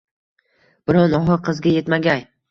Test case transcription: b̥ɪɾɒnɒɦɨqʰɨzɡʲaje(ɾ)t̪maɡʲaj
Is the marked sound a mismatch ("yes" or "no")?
yes